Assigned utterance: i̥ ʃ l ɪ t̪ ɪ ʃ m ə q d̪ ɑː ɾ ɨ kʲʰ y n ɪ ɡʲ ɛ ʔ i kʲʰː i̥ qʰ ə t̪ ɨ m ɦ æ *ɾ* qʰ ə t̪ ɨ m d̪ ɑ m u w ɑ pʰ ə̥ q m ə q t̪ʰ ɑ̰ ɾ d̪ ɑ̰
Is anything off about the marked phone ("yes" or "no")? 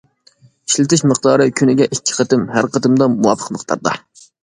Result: no